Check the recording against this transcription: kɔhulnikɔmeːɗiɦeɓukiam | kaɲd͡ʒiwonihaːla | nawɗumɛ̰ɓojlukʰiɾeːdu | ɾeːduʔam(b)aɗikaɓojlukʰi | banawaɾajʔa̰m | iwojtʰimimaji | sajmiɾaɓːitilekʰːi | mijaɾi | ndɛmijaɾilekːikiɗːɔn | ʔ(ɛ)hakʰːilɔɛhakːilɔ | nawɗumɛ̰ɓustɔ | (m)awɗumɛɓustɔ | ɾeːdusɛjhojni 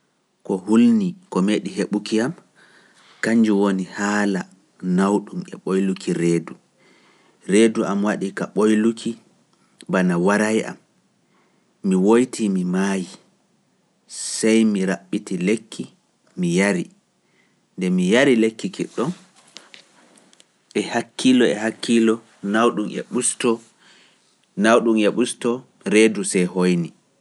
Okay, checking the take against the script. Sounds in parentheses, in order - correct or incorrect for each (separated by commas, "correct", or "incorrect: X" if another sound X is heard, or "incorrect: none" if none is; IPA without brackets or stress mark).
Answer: incorrect: w, correct, incorrect: n